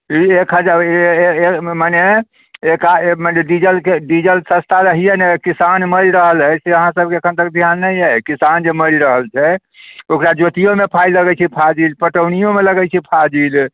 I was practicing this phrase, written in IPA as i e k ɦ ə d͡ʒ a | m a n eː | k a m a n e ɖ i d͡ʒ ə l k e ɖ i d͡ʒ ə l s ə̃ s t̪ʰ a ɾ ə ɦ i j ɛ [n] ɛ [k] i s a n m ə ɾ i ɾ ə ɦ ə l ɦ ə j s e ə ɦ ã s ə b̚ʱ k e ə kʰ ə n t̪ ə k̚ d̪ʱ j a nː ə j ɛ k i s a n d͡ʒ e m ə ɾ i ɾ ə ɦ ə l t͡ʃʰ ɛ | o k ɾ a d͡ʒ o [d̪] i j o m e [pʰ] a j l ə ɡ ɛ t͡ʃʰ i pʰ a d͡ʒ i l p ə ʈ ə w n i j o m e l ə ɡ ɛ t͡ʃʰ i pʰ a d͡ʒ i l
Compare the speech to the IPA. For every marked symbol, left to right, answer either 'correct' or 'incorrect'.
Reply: correct, correct, incorrect, correct

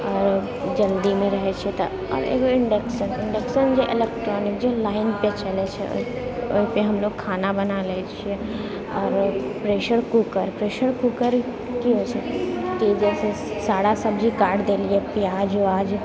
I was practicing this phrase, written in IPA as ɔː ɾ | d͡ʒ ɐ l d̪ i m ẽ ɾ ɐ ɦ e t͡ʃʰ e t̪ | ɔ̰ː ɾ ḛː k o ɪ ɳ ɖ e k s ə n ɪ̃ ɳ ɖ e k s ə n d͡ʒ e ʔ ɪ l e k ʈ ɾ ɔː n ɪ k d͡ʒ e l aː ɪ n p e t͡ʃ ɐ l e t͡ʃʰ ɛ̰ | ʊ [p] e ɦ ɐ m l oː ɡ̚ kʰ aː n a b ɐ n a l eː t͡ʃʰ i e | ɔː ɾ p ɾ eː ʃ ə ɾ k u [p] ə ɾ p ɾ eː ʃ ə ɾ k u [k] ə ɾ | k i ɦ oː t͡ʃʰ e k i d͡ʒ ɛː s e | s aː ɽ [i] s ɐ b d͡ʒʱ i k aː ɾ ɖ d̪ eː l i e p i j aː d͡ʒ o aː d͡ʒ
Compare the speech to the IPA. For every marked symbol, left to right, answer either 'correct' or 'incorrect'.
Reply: correct, incorrect, correct, incorrect

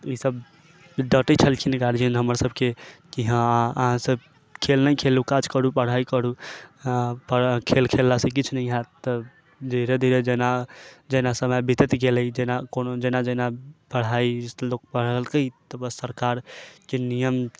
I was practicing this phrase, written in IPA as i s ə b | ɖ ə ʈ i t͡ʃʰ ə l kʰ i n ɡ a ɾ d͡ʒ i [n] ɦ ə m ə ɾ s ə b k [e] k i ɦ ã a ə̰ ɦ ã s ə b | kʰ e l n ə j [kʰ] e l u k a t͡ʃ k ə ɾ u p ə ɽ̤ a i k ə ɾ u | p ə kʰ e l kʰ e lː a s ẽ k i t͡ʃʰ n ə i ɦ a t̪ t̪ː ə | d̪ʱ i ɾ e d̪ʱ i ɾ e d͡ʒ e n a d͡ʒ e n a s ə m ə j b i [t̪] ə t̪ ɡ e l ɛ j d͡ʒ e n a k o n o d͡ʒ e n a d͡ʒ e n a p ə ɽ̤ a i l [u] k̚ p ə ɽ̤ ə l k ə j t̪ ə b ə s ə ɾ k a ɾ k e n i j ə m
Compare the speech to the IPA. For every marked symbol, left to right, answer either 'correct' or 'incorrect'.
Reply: correct, correct, correct, correct, incorrect

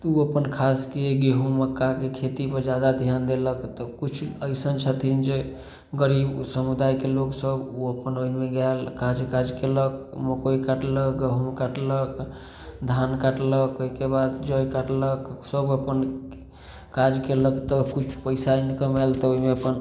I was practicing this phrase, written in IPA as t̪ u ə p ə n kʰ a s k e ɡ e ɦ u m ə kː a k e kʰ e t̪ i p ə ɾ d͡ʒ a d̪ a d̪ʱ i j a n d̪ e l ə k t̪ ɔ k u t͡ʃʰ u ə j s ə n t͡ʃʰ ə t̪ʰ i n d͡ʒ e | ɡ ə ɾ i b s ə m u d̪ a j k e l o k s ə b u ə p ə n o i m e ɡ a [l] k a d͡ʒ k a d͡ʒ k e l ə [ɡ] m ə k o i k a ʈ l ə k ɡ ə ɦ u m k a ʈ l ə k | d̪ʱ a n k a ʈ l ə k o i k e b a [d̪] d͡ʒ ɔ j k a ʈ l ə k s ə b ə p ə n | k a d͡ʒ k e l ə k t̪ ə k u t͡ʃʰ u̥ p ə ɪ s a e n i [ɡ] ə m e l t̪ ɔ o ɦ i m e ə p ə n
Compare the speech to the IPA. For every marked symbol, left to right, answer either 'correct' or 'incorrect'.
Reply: correct, incorrect, correct, incorrect

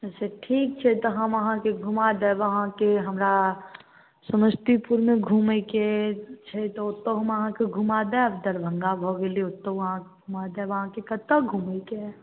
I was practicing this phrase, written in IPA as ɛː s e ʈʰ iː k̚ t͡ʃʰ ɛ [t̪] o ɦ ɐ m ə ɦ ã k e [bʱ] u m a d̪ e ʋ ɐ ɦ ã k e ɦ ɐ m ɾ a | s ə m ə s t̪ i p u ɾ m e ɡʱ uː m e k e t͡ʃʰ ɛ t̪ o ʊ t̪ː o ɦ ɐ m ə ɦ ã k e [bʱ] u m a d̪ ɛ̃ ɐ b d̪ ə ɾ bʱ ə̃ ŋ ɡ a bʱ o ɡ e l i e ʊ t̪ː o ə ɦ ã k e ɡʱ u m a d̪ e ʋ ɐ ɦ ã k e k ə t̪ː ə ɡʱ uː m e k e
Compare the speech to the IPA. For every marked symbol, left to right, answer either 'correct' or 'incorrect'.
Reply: correct, incorrect, incorrect

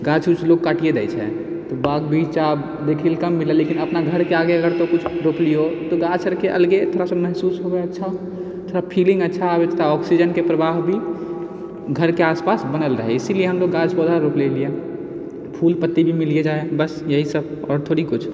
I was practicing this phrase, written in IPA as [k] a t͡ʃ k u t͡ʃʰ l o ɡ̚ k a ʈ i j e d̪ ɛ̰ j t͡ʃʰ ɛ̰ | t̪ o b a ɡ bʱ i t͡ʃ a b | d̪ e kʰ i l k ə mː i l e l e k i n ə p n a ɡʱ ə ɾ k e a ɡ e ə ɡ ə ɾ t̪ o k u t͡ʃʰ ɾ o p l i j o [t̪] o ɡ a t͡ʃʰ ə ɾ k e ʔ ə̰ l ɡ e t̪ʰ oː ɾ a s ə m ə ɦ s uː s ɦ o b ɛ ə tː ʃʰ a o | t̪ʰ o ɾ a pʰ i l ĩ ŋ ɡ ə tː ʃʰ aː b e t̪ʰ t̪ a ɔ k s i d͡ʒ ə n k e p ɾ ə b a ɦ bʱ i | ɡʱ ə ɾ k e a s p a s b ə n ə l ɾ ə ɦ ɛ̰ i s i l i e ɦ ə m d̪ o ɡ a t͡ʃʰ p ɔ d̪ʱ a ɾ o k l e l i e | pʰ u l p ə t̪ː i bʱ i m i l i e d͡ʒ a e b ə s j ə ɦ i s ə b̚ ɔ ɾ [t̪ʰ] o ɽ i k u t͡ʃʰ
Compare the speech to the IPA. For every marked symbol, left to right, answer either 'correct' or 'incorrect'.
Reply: incorrect, correct, correct

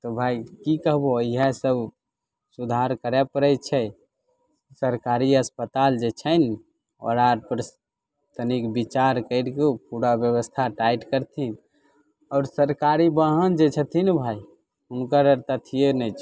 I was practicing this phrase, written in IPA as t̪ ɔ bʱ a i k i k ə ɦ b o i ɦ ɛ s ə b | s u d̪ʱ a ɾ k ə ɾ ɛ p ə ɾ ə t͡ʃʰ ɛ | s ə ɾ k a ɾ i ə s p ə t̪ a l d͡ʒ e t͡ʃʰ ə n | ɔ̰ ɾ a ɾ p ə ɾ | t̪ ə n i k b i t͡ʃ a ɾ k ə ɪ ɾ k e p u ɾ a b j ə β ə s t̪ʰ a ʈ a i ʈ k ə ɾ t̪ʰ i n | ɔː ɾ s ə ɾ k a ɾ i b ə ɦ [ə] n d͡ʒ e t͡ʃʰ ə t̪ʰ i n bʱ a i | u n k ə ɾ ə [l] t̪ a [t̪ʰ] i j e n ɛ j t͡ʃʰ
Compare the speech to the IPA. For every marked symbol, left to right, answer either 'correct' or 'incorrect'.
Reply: correct, incorrect, correct

